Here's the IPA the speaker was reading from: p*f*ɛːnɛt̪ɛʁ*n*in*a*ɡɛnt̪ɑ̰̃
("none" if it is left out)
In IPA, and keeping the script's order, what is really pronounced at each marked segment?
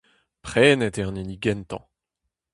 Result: χ, n, i

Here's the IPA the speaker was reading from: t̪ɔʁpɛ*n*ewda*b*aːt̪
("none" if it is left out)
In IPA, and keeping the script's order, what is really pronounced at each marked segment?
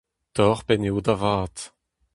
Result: n, v

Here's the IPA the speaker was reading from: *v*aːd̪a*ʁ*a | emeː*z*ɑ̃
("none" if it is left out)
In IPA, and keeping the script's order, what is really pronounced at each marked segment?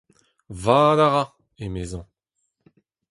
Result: v, ʁ, z

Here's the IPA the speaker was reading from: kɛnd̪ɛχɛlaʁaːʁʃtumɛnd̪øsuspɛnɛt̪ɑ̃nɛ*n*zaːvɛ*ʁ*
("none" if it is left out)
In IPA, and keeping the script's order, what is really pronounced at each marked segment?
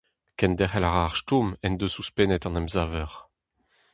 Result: m, ʁ

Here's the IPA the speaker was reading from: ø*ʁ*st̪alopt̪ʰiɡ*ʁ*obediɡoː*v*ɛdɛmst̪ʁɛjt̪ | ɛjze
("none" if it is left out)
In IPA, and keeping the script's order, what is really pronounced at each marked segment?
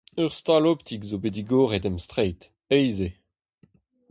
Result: ʁ, z, ʁ

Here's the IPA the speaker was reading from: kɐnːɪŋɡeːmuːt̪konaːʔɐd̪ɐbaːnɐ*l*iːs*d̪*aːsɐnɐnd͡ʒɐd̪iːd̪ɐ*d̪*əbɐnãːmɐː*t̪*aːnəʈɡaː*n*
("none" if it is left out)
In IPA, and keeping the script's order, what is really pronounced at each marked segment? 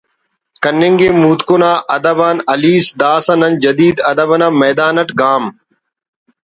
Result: l, d̪, d̪, d̪, m

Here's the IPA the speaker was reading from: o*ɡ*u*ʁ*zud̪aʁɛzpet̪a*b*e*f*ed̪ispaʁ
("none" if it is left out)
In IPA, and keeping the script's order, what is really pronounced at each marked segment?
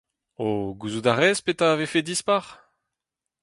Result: ɡ, none, v, f

